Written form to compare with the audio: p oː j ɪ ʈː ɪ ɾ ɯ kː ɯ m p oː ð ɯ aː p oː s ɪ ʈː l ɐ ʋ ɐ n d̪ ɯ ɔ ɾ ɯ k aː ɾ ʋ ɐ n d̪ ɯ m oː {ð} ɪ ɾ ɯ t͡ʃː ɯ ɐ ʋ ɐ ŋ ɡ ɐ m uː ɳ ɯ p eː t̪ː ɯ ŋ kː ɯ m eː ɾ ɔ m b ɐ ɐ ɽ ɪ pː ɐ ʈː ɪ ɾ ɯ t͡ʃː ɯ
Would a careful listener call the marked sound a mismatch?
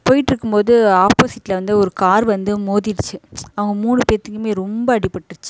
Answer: no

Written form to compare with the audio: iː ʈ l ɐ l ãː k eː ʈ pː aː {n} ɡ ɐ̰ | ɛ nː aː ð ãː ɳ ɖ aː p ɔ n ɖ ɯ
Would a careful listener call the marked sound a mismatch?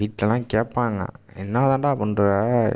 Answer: yes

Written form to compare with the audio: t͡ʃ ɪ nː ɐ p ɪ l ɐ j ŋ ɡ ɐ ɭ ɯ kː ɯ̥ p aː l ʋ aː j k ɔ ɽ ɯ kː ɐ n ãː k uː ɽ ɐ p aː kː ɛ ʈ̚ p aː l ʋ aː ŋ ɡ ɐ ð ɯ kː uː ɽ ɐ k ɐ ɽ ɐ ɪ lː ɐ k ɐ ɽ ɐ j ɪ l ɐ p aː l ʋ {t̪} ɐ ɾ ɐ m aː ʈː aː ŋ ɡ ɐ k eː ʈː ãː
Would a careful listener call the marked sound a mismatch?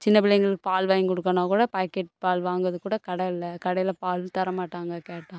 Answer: no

